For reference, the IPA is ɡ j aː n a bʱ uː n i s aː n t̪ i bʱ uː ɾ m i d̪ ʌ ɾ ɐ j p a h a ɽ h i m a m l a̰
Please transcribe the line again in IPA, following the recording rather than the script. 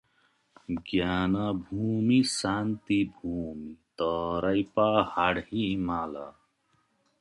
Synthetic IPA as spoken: ɡ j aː n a bʱ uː m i s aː n t̪ i bʱ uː m i t̪ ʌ ɾ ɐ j p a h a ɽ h i m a l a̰